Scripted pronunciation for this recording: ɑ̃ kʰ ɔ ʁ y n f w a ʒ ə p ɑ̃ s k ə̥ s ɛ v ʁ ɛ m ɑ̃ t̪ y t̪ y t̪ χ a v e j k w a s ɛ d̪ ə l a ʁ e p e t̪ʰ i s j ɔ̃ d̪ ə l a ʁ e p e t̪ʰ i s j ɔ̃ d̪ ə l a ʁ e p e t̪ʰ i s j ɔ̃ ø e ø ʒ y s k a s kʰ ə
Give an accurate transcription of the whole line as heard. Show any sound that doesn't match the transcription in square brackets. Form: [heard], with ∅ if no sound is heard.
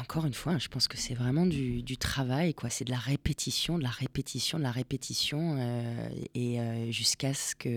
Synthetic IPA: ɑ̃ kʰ ɔ ʁ y n f w a ʒ ə p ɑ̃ s k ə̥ s ɛ v ʁ ɛ m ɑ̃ [d̪] y [d̪] y t̪ χ a v [a] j k w a s ɛ d̪ ə l a ʁ e p e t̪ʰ i s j ɔ̃ d̪ ə l a ʁ e p e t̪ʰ i s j ɔ̃ d̪ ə l a ʁ e p e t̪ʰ i s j ɔ̃ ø e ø ʒ y s k a s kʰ ə